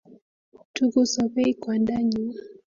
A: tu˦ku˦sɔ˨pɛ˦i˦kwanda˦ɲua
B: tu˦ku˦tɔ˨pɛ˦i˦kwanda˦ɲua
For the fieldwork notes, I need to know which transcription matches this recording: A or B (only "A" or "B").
A